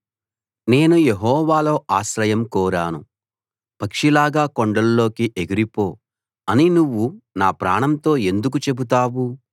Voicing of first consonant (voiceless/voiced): voiced